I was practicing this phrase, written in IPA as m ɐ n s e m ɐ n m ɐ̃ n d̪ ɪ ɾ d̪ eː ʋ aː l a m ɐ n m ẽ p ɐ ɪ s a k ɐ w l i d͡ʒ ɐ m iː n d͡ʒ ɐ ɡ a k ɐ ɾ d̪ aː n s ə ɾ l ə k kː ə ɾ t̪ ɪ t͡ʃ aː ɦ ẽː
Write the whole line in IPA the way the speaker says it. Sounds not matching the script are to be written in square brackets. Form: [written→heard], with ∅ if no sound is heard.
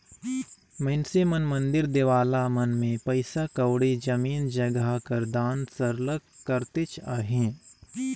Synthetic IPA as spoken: m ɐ n s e m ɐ n m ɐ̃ n d̪ ɪ ɾ d̪ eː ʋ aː l a m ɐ n m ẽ p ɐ ɪ s a k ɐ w [l→ɽ] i d͡ʒ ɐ m iː n d͡ʒ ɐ ɡ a k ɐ ɾ d̪ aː n s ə ɾ l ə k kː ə ɾ t̪ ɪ t͡ʃ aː ɦ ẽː